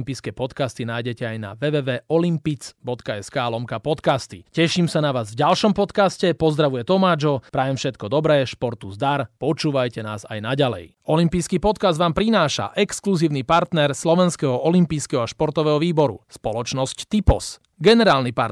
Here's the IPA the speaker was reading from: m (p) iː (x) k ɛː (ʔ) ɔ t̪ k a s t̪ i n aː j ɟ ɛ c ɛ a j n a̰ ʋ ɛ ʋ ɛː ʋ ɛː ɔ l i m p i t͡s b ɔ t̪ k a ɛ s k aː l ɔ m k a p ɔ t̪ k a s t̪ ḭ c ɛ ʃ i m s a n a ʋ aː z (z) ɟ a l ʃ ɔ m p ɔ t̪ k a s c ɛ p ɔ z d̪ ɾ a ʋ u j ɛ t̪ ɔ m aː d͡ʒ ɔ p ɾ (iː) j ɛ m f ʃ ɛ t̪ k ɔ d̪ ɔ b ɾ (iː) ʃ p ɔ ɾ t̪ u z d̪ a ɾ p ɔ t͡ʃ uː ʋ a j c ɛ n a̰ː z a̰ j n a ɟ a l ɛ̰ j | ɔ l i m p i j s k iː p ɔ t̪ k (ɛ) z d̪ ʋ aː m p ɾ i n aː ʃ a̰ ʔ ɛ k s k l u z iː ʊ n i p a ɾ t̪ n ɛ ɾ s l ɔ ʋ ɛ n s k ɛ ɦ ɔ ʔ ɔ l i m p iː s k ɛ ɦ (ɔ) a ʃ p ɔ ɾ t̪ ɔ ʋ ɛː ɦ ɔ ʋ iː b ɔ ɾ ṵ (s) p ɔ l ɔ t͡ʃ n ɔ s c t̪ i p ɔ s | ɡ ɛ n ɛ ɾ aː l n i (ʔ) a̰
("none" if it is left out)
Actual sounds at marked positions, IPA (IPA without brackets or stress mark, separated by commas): p, s, p, v, aː, ɛː, a, ɔ, s, p